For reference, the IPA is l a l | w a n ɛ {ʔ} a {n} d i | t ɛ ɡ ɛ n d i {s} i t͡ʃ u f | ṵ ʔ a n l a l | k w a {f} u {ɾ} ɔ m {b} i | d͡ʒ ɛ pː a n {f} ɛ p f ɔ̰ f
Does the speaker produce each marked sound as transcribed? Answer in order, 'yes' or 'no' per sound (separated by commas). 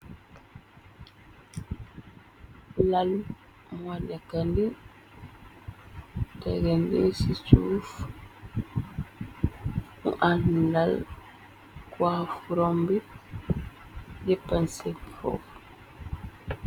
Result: no, yes, yes, yes, yes, yes, no